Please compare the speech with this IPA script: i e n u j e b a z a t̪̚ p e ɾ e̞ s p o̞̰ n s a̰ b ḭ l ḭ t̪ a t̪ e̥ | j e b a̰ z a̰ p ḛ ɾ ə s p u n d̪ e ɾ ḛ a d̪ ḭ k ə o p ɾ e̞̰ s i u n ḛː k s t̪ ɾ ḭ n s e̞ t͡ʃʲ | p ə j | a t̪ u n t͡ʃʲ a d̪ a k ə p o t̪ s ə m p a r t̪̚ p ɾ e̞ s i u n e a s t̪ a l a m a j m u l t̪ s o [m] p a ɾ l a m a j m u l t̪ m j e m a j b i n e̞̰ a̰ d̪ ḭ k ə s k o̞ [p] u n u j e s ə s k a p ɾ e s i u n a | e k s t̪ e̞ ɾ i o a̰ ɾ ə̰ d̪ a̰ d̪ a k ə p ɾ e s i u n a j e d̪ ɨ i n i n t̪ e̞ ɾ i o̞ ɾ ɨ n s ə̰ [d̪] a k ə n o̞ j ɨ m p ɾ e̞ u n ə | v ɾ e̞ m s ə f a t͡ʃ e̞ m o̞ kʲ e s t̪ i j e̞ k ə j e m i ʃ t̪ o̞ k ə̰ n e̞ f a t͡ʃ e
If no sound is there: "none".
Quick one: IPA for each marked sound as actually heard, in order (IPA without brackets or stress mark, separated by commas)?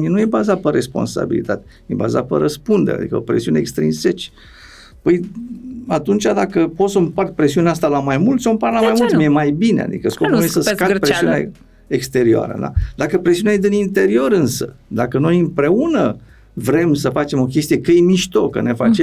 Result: m, p, d̪